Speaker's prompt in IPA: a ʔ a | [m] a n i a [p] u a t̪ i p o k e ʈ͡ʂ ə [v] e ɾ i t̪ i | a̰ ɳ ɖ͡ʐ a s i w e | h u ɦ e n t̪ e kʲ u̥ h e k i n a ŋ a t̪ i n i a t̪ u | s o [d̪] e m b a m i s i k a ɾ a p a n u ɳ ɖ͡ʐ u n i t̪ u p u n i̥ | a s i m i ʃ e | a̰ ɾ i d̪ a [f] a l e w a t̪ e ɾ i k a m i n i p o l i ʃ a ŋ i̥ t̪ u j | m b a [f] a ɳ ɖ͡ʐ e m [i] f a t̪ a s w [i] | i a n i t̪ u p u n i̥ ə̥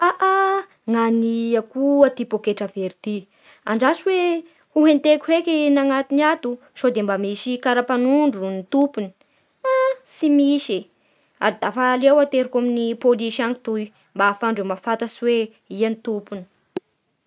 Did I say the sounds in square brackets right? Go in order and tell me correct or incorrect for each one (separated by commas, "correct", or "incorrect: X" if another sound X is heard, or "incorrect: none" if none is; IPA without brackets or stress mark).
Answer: incorrect: ŋ, incorrect: k, correct, correct, correct, correct, incorrect: a, incorrect: e